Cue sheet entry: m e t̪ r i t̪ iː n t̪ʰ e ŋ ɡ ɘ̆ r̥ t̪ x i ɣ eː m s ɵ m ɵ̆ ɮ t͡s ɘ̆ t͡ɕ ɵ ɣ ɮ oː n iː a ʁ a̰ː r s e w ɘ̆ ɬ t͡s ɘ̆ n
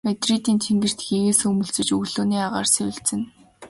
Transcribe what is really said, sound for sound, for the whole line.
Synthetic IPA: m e t̪ r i t̪ iː n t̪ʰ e ŋ ɡ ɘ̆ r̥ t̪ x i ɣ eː s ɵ m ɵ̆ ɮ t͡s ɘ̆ t͡ɕ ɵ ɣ ɮ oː n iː a ʁ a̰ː r s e w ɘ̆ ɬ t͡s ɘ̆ n